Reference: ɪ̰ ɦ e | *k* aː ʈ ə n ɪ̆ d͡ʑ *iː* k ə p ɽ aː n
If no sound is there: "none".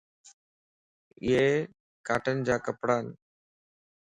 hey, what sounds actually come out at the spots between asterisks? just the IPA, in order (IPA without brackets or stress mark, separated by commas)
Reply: k, aː